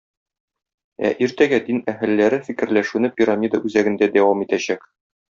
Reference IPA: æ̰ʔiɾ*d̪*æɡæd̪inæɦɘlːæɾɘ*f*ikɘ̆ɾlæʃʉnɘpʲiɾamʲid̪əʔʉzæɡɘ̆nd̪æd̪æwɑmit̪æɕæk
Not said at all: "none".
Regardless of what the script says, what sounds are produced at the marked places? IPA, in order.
t̪, f

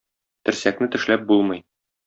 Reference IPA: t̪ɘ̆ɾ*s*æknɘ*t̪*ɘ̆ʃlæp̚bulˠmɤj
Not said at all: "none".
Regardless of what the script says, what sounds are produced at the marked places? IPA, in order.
s, t̪

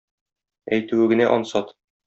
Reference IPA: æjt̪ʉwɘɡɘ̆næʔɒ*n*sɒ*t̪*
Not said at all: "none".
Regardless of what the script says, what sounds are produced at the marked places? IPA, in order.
n, t̪

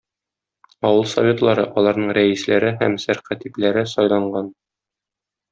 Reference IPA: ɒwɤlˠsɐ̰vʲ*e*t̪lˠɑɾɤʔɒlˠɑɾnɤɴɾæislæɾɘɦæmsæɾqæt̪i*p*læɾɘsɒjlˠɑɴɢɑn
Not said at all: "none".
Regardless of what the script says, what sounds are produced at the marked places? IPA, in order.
e, p

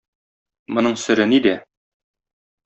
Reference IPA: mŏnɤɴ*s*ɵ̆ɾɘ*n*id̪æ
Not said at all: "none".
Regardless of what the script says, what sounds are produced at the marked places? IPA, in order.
s, n

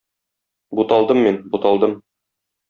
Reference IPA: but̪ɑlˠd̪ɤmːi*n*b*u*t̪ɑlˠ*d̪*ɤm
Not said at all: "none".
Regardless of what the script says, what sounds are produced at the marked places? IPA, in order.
n, u, d̪

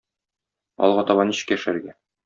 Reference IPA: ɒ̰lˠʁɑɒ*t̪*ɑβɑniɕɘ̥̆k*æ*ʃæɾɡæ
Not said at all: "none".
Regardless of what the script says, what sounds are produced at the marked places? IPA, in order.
t̪, æ

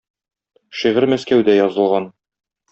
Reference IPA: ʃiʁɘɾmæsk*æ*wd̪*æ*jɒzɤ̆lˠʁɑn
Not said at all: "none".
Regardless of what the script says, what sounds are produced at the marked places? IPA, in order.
æ, æ

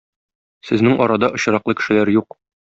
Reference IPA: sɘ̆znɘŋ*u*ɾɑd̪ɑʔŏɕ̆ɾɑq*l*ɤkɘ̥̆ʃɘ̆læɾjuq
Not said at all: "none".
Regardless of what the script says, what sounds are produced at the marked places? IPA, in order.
ɒ, l

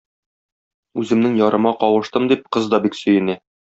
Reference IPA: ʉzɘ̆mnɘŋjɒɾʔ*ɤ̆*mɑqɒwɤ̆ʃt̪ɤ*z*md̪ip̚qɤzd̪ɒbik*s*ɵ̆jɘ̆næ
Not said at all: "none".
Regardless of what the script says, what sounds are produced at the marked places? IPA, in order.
ɤ̆, none, s

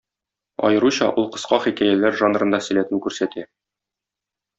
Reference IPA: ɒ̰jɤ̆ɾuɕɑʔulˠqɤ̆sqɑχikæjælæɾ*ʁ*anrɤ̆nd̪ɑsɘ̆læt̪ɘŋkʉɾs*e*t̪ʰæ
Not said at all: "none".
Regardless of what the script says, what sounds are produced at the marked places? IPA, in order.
ʒ, æ

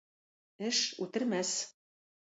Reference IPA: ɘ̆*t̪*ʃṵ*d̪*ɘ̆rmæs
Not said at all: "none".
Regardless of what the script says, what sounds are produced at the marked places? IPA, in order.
none, t̪

